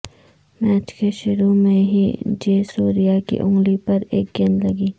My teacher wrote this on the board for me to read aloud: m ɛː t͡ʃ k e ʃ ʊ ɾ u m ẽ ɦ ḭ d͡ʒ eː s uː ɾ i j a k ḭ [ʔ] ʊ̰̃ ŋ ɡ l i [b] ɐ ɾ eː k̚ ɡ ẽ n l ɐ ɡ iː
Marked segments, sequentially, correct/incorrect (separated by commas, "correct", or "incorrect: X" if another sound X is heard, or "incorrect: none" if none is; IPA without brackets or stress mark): correct, incorrect: p